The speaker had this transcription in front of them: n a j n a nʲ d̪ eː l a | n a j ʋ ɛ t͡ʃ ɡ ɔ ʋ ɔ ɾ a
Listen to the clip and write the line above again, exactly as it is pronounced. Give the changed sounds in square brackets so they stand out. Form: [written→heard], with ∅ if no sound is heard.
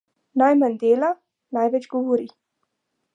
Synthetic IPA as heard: n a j [n→m] a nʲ d̪ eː l a | n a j ʋ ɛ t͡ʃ ɡ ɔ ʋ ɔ ɾ [a→i]